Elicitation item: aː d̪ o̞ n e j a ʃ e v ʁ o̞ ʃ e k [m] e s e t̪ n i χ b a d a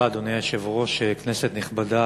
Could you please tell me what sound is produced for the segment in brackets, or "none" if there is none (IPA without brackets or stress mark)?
n